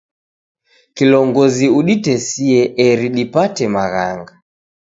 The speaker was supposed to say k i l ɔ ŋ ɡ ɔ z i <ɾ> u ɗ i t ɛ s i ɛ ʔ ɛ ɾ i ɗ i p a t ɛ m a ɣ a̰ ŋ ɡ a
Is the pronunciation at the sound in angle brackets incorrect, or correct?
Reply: incorrect: none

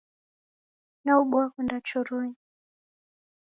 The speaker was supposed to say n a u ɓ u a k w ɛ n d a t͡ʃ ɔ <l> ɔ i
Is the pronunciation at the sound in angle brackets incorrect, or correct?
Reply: incorrect: ɾ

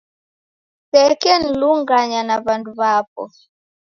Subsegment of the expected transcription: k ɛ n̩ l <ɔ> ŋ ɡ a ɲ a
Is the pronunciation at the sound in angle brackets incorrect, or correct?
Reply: incorrect: u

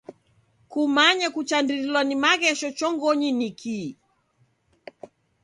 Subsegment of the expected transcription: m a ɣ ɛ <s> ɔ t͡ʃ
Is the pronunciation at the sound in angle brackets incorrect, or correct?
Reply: incorrect: ʃ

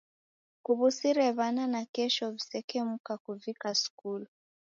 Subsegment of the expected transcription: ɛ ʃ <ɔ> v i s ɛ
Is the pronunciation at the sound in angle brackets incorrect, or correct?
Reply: correct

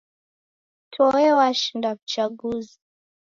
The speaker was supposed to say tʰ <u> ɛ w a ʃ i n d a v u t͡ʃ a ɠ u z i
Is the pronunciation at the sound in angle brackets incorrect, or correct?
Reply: incorrect: ɔ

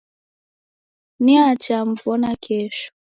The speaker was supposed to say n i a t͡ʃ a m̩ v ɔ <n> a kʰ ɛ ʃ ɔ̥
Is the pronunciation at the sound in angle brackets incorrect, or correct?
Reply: correct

